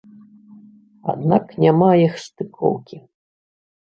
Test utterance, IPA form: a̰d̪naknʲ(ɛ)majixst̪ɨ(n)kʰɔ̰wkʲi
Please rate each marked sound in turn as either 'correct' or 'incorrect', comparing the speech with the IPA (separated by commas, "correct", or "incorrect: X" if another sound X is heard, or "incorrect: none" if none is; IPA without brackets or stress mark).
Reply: incorrect: a, incorrect: none